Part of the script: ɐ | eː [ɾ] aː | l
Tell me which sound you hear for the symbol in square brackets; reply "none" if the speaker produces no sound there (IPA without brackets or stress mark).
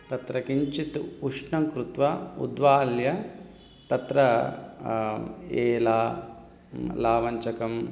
l